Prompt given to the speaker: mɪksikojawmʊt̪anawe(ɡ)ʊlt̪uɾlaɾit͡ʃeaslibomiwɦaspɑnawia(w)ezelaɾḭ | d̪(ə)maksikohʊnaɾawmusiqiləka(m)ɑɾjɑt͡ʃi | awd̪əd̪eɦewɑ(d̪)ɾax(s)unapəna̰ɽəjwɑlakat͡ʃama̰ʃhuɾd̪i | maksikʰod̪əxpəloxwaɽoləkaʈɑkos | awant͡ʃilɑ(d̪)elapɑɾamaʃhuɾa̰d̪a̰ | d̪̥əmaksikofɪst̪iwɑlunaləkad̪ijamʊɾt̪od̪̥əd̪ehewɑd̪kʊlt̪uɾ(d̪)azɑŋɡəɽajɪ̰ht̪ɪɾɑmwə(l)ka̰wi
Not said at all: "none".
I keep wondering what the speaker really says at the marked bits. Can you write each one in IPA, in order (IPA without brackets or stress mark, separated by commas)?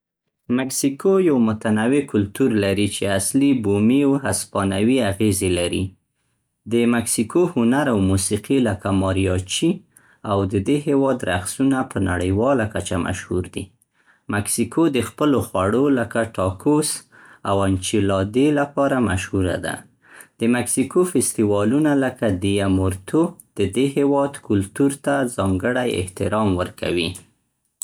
k, ɣ, ə, m, d̪, s, d̪, t̪, ɾ